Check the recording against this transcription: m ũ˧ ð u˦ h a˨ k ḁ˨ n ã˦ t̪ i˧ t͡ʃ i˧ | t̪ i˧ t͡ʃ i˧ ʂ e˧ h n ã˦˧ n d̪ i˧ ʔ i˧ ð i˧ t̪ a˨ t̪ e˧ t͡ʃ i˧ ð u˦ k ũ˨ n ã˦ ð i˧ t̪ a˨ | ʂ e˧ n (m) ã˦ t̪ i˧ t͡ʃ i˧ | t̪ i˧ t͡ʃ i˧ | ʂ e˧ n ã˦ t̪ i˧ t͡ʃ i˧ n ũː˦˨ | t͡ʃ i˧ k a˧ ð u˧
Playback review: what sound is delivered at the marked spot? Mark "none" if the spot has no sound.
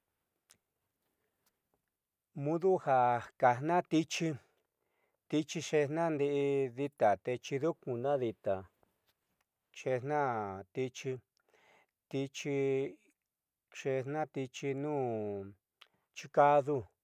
n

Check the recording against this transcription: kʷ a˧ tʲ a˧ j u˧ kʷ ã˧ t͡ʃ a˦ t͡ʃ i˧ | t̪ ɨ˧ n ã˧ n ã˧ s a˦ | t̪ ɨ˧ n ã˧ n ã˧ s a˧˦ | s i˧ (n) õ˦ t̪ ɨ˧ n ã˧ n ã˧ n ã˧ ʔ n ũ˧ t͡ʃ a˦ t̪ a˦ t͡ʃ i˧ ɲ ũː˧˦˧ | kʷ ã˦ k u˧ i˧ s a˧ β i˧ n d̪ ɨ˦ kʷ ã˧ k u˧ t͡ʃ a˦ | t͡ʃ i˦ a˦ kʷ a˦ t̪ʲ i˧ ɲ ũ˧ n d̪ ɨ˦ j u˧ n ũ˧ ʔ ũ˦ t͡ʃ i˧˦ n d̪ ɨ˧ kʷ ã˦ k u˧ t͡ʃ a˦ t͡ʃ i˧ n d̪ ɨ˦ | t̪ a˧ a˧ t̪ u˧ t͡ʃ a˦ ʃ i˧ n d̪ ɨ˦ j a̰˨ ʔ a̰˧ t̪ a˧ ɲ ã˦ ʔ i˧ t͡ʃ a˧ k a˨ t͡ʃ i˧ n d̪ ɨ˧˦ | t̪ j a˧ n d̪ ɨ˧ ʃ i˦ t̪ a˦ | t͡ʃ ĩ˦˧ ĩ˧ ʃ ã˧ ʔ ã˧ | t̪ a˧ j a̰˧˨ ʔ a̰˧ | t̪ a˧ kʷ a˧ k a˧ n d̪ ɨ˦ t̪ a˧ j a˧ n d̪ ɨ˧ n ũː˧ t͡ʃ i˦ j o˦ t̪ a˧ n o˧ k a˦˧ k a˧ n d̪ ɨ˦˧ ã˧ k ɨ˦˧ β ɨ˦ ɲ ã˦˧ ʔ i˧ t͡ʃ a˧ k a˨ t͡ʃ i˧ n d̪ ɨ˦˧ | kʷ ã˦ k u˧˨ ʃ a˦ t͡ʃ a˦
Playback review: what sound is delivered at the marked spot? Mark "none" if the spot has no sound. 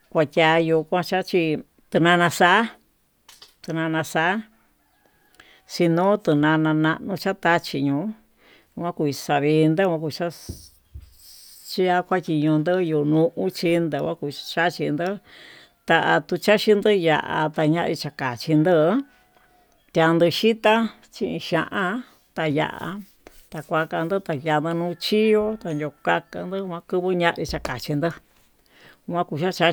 n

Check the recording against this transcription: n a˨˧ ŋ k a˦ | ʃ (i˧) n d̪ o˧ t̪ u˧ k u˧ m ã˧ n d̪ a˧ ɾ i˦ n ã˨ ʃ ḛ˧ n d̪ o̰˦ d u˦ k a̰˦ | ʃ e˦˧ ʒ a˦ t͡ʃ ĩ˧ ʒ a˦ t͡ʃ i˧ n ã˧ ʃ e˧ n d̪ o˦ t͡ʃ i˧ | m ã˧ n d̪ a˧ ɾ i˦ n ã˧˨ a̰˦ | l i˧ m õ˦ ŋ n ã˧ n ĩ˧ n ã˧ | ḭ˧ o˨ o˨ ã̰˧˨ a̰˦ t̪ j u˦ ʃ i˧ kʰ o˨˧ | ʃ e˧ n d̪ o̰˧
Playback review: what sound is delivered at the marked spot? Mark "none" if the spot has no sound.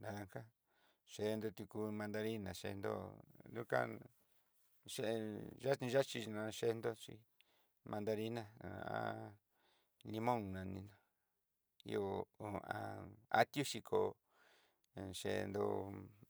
e˧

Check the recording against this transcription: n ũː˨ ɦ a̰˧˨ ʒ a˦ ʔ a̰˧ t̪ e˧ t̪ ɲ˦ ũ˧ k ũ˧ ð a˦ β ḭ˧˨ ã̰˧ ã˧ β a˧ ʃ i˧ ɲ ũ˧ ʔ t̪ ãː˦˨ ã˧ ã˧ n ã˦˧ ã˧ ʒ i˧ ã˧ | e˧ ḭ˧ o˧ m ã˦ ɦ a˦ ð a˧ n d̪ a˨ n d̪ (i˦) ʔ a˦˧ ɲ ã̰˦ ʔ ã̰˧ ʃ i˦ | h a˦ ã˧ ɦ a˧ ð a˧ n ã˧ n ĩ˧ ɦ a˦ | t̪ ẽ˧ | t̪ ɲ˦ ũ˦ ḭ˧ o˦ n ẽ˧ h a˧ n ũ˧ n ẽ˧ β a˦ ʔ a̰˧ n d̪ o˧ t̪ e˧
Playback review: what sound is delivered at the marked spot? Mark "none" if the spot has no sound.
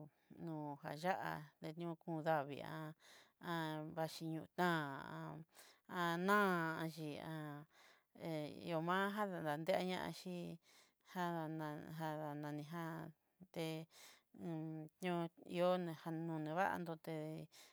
e˦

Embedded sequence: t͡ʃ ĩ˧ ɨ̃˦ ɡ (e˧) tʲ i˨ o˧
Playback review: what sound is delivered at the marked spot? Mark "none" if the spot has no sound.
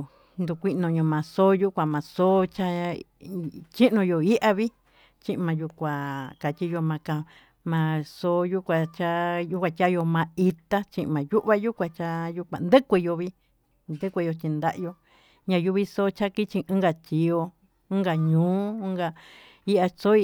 a˧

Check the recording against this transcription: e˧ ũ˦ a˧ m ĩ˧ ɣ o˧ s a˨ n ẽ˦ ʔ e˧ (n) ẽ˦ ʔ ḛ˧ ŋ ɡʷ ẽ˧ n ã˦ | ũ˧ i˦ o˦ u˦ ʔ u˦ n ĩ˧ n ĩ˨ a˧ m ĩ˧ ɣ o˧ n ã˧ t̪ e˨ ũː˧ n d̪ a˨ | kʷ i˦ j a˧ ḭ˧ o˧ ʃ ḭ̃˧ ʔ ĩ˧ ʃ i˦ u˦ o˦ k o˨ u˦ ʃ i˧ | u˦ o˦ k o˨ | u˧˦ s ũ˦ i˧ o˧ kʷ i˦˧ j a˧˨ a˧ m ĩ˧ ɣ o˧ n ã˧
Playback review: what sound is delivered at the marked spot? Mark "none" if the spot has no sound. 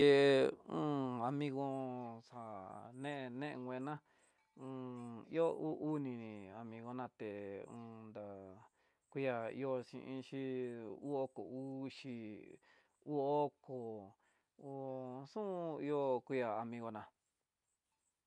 n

